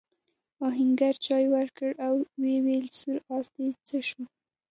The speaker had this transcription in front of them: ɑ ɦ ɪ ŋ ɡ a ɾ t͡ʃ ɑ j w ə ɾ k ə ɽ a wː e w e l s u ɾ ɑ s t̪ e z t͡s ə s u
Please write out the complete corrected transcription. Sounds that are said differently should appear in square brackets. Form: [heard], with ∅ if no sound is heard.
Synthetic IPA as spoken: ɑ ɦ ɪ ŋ ɡ a ɾ t͡ʃ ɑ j w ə ɾ k ə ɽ a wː e w e l s u ɾ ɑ s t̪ e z t͡s ə [ʃ] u